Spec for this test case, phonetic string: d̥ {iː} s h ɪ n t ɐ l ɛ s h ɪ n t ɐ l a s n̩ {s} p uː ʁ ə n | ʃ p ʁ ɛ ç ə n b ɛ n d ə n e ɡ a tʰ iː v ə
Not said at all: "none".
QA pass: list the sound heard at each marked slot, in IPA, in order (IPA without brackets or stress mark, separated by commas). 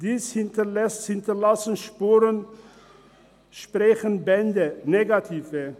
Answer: iː, ʃ